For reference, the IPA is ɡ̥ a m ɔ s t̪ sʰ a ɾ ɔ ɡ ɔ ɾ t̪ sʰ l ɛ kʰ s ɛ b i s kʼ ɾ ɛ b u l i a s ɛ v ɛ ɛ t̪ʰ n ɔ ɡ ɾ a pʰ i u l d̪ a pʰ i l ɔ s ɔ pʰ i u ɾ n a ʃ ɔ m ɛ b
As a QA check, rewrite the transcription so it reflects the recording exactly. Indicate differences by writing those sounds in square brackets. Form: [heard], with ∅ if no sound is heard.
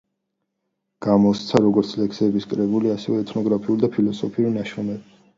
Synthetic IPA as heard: ɡ̥ a m ɔ s t̪ sʰ a ɾ ɔ ɡ ɔ ɾ t̪ sʰ l ɛ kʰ s ɛ b i s kʼ ɾ ɛ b u l i a s ɛ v ɛ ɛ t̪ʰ n ɔ ɡ ɾ a pʰ i u l d̪ a pʰ i l ɔ s ɔ pʰ i u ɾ n a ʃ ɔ m ɛ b

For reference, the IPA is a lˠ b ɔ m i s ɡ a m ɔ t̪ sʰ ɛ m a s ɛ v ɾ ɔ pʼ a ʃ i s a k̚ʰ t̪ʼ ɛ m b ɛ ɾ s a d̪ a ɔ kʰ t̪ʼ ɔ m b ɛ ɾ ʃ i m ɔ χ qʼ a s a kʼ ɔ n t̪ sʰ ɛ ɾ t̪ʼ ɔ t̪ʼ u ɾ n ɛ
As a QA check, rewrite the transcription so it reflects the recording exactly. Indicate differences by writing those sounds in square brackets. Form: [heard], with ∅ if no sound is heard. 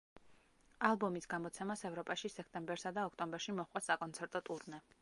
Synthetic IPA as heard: a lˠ b ɔ m i s ɡ a m ɔ t̪ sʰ ɛ m a s ɛ v ɾ ɔ pʼ a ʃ i s [ɛ] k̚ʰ t̪ʼ ɛ m b ɛ ɾ s a d̪ a ɔ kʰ t̪ʼ ɔ m b ɛ ɾ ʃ i m ɔ χ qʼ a s a kʼ ɔ n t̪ sʰ ɛ ɾ t̪ʼ ɔ t̪ʼ u ɾ n ɛ

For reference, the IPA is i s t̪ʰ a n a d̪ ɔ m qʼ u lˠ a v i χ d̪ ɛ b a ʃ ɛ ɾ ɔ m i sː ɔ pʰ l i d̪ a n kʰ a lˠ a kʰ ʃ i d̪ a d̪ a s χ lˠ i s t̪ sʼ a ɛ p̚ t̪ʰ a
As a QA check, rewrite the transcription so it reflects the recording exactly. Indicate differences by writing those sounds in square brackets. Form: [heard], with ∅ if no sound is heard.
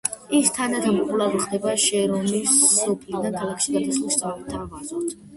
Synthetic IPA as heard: i s t̪ʰ a n a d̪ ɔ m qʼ u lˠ a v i χ d̪ ɛ b a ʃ ɛ ɾ ɔ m i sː ɔ pʰ l i d̪ a n kʰ a lˠ a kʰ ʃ i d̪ a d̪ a s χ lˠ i s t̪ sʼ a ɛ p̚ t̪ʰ a

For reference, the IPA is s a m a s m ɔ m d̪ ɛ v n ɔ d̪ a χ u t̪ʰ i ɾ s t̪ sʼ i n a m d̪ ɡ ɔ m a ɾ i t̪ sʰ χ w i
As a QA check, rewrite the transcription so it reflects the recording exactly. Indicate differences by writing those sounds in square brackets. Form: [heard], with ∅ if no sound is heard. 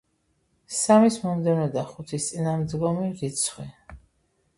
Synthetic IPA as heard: s a m [i] s m ɔ m d̪ ɛ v n ɔ d̪ a χ u t̪ʰ i [∅] s t̪ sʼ i n a m d̪ ɡ ɔ m [i] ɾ i t̪ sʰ χ w i

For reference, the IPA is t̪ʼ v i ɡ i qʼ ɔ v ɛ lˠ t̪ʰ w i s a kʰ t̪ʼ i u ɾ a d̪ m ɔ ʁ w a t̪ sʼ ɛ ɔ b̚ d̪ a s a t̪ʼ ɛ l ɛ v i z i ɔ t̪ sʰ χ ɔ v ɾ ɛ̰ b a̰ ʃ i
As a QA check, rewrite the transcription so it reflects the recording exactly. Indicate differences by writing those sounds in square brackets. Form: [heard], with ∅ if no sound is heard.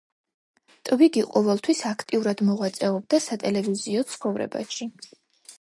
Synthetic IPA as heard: t̪ʼ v i ɡ i qʼ ɔ v ɛ lˠ t̪ʰ w i s a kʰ t̪ʼ i u ɾ a d̪ m ɔ ʁ w a t̪ sʼ ɛ ɔ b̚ d̪ a s a t̪ʼ ɛ l ɛ v i z i ɔ t̪ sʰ χ ɔ v ɾ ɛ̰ b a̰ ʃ i

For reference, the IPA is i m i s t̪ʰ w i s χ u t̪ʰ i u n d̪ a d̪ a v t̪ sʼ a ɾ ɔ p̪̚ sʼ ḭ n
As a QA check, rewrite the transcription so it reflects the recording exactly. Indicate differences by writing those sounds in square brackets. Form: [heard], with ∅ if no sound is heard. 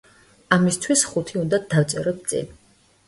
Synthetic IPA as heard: [a] m i s t̪ʰ w i s χ u t̪ʰ i u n d̪ a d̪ a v t̪ sʼ [ɛ] ɾ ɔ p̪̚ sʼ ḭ n

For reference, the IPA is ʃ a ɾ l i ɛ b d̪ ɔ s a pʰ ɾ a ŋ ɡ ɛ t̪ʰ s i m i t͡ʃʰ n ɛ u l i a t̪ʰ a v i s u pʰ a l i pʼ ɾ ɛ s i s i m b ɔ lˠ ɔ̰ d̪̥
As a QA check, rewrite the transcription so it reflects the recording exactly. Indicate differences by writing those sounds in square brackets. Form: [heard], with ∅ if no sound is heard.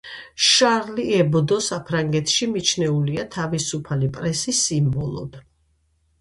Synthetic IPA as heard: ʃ a ɾ l i ɛ b d̪ ɔ s a pʰ ɾ a ŋ ɡ ɛ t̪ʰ [ʃ] i m i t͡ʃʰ n ɛ u l i a t̪ʰ a v i s u pʰ a l i pʼ ɾ ɛ s i s i m b ɔ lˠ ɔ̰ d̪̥

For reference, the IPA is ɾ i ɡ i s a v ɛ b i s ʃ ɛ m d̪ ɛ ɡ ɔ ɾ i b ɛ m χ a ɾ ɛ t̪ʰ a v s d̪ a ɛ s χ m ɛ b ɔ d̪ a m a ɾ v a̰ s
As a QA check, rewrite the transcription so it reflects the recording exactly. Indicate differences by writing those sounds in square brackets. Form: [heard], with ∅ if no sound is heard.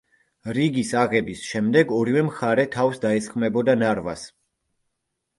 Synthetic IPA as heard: ɾ i ɡ i s a [ʁ] ɛ b i s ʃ ɛ m d̪ ɛ ɡ ɔ ɾ i [v] ɛ m χ a ɾ ɛ t̪ʰ a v s d̪ a ɛ s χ m ɛ b ɔ d̪ a [n] a ɾ v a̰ s

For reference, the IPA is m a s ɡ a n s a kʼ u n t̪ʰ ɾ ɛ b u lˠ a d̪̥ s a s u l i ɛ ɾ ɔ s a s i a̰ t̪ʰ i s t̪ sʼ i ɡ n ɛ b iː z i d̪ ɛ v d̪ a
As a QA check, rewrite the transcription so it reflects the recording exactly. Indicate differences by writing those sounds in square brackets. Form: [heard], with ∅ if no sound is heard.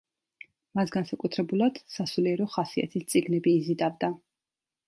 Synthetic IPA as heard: m a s ɡ a n s a kʼ u [∅] t̪ʰ ɾ ɛ b u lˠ a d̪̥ s a s u l i ɛ ɾ ɔ [χ] a s i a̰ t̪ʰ i s t̪ sʼ i ɡ n ɛ b iː z i d̪ [a] v d̪ a

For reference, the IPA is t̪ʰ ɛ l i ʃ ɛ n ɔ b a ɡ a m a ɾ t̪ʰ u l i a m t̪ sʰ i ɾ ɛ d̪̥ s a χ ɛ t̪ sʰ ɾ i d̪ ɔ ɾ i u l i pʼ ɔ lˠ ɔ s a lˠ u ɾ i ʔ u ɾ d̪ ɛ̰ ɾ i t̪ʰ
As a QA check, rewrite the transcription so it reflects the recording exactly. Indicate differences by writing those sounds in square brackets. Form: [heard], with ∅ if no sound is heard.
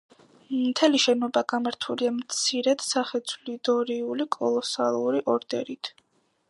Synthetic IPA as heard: t̪ʰ ɛ l i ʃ ɛ n ɔ b a ɡ a m a ɾ t̪ʰ u l i a m t̪ sʰ i ɾ ɛ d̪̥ s a χ ɛ t̪ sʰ [l] i d̪ ɔ ɾ i u l i [kʼ] ɔ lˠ ɔ s a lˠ u ɾ i ʔ [ɔ] ɾ d̪ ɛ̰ ɾ i t̪ʰ

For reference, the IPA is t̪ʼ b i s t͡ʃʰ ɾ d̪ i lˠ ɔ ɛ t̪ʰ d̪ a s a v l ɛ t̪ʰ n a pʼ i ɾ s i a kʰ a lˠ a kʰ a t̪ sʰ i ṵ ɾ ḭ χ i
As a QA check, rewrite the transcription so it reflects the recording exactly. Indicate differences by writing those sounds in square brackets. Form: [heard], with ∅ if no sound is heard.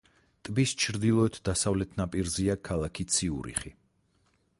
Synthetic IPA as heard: t̪ʼ b i s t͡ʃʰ ɾ d̪ i lˠ ɔ ɛ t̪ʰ d̪ a s a v l ɛ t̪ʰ n a pʼ i ɾ [z] i a kʰ a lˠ a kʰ [i] t̪ sʰ i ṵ ɾ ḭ χ i

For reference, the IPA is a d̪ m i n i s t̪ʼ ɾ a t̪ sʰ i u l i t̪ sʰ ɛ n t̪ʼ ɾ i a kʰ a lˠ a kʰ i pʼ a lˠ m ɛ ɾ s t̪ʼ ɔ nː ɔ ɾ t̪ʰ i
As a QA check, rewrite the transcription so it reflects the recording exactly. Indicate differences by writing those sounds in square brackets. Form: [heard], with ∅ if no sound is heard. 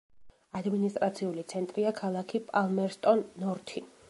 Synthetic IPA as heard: a d̪ m i n i s t̪ʼ ɾ a t̪ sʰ i u l i t̪ sʰ ɛ n t̪ʼ ɾ i a kʰ a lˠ a kʰ i pʼ a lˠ m ɛ ɾ s t̪ʼ ɔ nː ɔ ɾ t̪ʰ i

